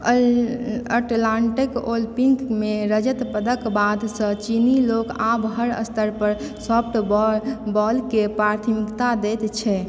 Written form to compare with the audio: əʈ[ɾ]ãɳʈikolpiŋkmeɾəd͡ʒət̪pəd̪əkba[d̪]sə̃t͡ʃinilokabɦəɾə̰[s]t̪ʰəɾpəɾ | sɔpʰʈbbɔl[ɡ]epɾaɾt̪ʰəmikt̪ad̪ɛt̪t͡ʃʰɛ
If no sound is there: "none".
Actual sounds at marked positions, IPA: l, d̪, s, k

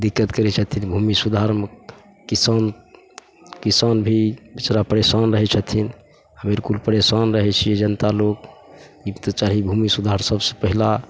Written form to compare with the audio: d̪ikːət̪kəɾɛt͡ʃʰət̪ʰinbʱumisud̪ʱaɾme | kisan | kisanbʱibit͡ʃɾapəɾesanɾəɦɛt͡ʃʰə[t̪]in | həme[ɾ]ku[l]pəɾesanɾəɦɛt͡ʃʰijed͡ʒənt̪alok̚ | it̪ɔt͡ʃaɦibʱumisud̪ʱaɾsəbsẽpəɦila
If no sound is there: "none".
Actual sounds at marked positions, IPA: t̪ʰ, ɾ, l

